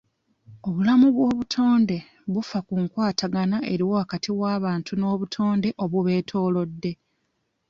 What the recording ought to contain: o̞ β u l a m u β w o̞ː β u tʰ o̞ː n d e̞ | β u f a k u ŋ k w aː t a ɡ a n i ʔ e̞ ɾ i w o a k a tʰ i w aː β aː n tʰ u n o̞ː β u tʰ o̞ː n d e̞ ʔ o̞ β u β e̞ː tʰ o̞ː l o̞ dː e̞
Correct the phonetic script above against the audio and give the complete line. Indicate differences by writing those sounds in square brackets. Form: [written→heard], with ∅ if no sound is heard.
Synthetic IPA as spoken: o̞ β u l a m u β w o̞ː β u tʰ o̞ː n d e̞ | β u f a k u ŋ k w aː t a ɡ a n [i→a] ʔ e̞ ɾ i w o a k a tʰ i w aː β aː n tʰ u n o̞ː β u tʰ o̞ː n d e̞ ʔ o̞ β u β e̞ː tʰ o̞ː l o̞ dː e̞

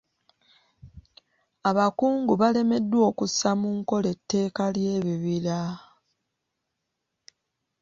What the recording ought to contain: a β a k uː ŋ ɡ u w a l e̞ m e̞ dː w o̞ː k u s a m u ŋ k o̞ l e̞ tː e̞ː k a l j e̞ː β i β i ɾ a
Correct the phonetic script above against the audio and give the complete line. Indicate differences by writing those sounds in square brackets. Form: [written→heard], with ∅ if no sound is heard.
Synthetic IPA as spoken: a β a k uː ŋ ɡ u [w→β] a l e̞ m e̞ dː w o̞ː k u s a m u ŋ k o̞ l e̞ tː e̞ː k a l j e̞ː β i β i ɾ a

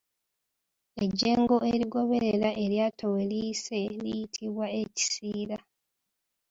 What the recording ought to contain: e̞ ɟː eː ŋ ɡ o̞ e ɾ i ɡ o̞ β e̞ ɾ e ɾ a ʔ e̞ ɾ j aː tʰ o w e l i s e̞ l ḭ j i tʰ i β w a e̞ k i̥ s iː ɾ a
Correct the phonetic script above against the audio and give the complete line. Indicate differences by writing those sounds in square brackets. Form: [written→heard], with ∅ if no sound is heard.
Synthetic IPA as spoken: e̞ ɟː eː ŋ ɡ o̞ e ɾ i ɡ o̞ β e̞ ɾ e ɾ a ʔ e̞ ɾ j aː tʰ o w e l i s e̞ l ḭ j i tʰ i β w a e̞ [k→c] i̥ s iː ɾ a

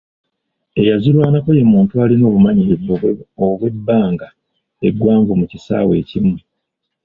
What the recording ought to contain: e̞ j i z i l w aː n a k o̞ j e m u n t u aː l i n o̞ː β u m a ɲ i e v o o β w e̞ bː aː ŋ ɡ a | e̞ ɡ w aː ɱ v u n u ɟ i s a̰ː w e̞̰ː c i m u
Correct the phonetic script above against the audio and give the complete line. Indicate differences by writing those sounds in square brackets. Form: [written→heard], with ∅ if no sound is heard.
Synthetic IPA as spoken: e̞ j [i→a] z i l w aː n a k o̞ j e m [u→uː] n t u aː l i n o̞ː β u m a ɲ i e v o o β w e̞ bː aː ŋ ɡ a | e̞ ɡ w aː ɱ v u [n→m] u [ɟ→c] i s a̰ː w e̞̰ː c i m u

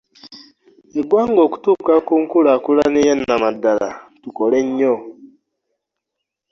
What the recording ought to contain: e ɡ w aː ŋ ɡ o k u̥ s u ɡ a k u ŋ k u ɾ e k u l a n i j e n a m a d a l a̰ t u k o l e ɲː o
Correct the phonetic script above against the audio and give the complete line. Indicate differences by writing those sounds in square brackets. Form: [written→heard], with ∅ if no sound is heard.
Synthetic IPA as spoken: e ɡ w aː ŋ ɡ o k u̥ [s→t] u [ɡ→k] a k u ŋ k u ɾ [e→a] k u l a n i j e n a m a d a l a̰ t u k o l e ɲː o

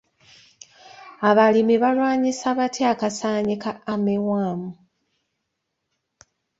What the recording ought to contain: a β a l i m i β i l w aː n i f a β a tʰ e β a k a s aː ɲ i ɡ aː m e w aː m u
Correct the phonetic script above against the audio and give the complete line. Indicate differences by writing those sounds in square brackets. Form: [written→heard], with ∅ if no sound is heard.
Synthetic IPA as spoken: a β a l i m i β [i→a] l w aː [n→ɲ] i [f→s] a β a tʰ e [β→∅] a k a s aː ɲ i [ɡ→k] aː m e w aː m u

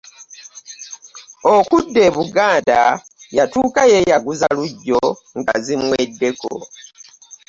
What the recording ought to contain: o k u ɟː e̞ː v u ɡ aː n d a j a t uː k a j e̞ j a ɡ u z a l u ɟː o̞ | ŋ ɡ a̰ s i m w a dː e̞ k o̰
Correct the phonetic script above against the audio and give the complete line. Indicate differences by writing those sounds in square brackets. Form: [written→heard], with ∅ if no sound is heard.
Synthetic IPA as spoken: o k u [ɟː→dː] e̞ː [v→β] u ɡ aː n d a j a t uː k a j e̞ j a ɡ u z a l u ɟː o̞ | ŋ ɡ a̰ [s→z] i m w [a→e] dː e̞ k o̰

